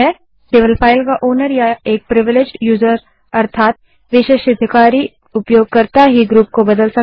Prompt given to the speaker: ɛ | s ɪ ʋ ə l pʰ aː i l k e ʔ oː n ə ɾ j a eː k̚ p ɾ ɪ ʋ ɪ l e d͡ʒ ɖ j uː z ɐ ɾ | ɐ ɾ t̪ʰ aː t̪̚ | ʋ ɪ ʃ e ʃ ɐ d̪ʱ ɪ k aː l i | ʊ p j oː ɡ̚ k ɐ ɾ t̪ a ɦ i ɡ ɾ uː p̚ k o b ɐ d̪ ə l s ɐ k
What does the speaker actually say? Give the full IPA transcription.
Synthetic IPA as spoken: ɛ | s ɪ ʋ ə l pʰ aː ɪ l k a ʔ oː n ə ɾ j a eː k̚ p ɾ ɪ ʋ ɪ l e d͡ʒ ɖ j uː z ə ɾ | ɐ ɾ t̪ʰ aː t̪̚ | ʋ ɪ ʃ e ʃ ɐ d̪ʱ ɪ k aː ɾ i | ʊ p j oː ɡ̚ k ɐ ɾ t̪ a ɦ i ɡ ɾ uː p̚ k o b ɐ d̪ ə l s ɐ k

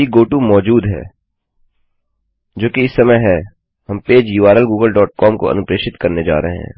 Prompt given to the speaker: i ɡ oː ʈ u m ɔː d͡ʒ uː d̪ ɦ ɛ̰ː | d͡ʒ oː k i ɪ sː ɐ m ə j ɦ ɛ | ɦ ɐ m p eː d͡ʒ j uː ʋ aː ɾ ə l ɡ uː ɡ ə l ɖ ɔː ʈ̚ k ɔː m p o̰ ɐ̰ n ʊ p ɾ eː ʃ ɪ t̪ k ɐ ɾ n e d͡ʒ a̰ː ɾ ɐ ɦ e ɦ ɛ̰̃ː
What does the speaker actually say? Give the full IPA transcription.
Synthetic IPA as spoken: i ɡ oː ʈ u m ɔː d͡ʒ uː d̪ ɦ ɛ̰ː | d͡ʒ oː k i ɪ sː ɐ m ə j ɦ ɛ | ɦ ɐ m p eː d͡ʒ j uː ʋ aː ɾ ə l ɡ uː ɡ ə l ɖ ɔː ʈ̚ k ɔː m k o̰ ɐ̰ n ʊ p ɾ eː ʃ ɪ t̪ k ɐ ɾ n e d͡ʒ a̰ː ɾ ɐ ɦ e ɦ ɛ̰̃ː

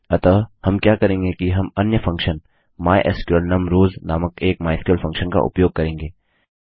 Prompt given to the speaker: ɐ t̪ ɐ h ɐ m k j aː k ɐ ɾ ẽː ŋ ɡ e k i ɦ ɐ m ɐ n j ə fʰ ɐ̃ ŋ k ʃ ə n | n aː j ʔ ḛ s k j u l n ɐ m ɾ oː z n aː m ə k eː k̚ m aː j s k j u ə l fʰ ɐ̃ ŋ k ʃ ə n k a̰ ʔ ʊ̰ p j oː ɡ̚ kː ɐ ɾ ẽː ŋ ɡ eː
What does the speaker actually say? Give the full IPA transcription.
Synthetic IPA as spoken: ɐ t̪ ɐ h ɐ m k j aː k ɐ ɾ ẽː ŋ ɡ e k i ɦ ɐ m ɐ n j ə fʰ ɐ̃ ŋ k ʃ ə n | m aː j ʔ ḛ s k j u l n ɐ m ɾ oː z n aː m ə k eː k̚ m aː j s k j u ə l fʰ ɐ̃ ŋ k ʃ ə n k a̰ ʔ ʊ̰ p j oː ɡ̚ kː ɐ ɾ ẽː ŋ ɡ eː

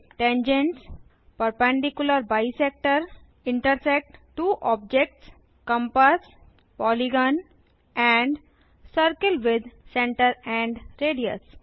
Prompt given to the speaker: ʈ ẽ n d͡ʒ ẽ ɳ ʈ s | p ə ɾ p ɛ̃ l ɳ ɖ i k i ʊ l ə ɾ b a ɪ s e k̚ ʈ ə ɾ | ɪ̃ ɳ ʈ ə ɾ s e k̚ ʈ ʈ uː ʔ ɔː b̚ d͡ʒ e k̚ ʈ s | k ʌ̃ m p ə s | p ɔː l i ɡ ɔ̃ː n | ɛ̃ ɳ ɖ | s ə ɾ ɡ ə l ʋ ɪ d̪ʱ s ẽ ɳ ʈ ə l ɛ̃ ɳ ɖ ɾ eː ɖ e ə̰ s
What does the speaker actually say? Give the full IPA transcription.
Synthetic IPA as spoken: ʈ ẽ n d͡ʒ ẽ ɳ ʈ s | p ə ɾ p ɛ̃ ɳ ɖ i k j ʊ l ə ɾ b a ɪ s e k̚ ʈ ə ɾ | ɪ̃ ɳ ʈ ə ɾ s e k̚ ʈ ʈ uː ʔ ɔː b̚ d͡ʒ e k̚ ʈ s | k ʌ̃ m p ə s | p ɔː l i ɡ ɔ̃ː n | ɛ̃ ɳ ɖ | s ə ɾ k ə l ʋ ɪ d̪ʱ s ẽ ɳ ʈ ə ɾ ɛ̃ ɳ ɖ ɾ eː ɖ i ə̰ s

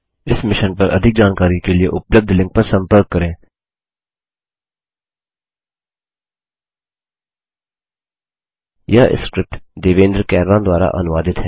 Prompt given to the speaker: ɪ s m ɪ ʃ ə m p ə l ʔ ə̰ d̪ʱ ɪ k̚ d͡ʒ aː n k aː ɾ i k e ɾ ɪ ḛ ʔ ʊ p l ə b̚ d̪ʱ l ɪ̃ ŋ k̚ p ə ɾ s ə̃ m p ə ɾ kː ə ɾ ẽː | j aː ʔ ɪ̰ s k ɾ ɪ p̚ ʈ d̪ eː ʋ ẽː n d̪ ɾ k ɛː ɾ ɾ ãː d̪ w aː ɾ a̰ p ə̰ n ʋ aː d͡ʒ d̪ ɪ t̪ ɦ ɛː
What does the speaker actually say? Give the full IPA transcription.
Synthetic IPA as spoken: ɪ s m ɪ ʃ ə n p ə ɾ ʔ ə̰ d̪ʱ ɪ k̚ d͡ʒ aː n k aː ɾ i k e l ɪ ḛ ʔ ʊ p l ə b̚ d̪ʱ l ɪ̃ ŋ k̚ p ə ɾ s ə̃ m p ə ɾ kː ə ɾ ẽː | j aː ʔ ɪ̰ s k ɾ ɪ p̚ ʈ d̪ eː ʋ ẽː n d̪ ɾ k ɛː ɾ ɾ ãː d̪ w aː ɾ a̰ ʔ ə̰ n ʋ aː d̪ ɪ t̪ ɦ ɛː

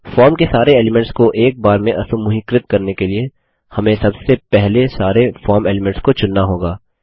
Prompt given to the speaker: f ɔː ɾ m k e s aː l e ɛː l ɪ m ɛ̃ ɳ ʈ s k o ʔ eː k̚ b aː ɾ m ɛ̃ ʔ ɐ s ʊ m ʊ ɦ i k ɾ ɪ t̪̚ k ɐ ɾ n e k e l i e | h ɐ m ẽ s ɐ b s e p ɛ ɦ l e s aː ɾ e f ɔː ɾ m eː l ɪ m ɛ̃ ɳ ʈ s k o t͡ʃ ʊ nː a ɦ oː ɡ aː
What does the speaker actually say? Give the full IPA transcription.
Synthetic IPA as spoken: f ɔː ɾ m k e s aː ɾ e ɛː l ɪ m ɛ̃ ɳ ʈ s k o ʔ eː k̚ b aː ɾ m ẽ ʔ ɐ s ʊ m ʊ ɦ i k ɾ ɪ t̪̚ k ɐ ɾ n e k e l i e | h ɐ m ẽ s ɐ b s e p ɛ ɦ l e s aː ɾ e f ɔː ɾ m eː l ɪ m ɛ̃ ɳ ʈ s k o t͡ʃ ʊ nː a ɦ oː ɡ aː

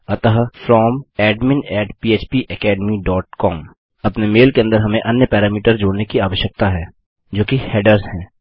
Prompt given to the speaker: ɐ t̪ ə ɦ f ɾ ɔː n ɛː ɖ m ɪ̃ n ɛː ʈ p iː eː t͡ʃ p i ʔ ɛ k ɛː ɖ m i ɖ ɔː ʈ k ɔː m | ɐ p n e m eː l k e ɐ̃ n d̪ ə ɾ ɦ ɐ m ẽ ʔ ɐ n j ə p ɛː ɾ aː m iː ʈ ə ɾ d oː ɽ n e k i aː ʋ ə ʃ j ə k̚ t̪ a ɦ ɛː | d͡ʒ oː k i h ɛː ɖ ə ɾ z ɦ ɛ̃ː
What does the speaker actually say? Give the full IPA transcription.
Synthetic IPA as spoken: ɐ t̪ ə ɦ f ɾ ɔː m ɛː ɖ m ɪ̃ n ɛː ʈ p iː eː t͡ʃ p i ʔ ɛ k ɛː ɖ m i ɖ ɔː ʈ k ɔː m | ɐ p n e m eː l k e ɐ̃ n d̪ ə ɾ ɦ ɐ m ẽ ʔ ɐ n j ə p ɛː ɾ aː m iː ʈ ə ɾ d͡ʒ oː ɽ n e k i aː ʋ ə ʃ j ə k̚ t̪ a ɦ ɛː | d͡ʒ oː k i h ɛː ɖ ə ɾ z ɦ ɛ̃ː

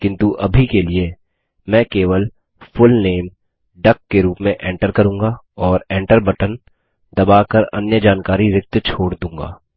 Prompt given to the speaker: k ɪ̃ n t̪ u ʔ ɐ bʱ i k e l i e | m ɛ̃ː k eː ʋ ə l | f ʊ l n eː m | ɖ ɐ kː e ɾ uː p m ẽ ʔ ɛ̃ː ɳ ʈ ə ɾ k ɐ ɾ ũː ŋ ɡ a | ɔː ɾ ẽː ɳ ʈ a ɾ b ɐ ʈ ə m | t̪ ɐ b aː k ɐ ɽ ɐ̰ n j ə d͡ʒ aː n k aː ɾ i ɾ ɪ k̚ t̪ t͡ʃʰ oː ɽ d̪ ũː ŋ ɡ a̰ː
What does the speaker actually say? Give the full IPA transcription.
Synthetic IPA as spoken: k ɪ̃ n t̪ u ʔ ɐ bʱ i k e l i e | m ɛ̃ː k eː ʋ ə l | f ʊ l n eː m | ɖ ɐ kː e ɾ uː p m ẽ ʔ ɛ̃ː ɳ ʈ ə ɾ k ɐ ɾ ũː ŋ ɡ a | ɔː ɾ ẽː ɳ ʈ ə ɾ b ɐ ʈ ə n | d̪ ɐ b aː k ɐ ɾ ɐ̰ n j ə d͡ʒ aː n k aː ɾ i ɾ ɪ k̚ t̪ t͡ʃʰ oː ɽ d̪ ũː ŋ ɡ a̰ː

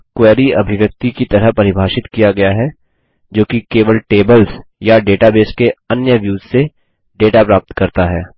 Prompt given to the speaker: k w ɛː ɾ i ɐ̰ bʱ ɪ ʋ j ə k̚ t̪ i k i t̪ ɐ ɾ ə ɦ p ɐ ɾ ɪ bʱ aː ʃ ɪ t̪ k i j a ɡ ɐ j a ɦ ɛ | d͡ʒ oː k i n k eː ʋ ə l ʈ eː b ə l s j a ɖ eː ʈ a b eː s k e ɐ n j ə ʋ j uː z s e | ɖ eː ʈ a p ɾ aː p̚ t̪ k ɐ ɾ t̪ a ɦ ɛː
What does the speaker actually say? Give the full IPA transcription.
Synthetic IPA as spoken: k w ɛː ɾ i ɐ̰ bʱ ɪ ʋ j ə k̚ t̪ i k i t̪ ɐ ɾ ə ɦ p ɐ ɾ ɪ bʱ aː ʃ ɪ t̪ k i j a ɡ ɐ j a ɦ ɛ | d͡ʒ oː k i k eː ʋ ə l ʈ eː b ə l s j a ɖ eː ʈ a b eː s k e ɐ n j ə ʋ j uː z s e | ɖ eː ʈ a p ɾ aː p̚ t̪ k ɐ ɾ t̪ a ɦ ɛː

